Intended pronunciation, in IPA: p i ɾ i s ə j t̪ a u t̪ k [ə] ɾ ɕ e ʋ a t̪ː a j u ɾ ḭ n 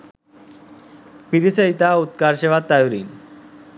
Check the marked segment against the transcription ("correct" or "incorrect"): incorrect